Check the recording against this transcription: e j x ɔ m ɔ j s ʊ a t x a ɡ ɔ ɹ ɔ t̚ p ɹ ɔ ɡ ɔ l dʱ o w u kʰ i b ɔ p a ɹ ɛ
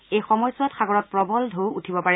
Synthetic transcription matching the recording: e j x ɔ m ɔ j s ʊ a t x a ɡ ɔ ɹ ɔ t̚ p ɹ ɔ b ɔ l dʱ o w u tʰ i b ɔ p a ɹ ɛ